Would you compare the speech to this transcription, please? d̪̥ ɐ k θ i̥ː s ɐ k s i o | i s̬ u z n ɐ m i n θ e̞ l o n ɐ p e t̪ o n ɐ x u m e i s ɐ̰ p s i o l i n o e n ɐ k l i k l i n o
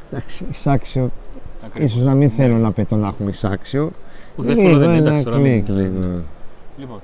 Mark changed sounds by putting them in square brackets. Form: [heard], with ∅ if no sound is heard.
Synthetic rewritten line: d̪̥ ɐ k [s] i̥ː s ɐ k s i o | i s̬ [o] z n ɐ m i n θ e̞ l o n ɐ p e t̪ o n ɐ x u m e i s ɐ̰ [k] s i o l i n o e n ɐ k l i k l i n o